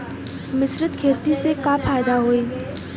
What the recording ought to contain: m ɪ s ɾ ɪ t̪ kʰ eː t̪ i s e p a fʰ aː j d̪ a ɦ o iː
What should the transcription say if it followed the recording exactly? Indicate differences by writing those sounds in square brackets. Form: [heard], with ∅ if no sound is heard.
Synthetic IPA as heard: m ɪ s ɾ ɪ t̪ kʰ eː t̪ i s e [k] a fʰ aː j d̪ a ɦ o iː